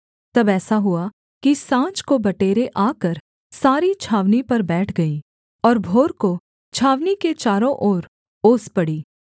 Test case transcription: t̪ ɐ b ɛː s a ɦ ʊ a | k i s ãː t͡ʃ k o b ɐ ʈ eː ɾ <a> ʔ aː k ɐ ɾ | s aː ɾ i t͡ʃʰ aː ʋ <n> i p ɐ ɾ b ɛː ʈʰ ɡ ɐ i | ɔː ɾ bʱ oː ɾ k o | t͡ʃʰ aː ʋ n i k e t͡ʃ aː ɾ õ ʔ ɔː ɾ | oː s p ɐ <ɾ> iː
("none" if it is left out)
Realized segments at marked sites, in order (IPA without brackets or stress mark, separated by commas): e, n, ɽ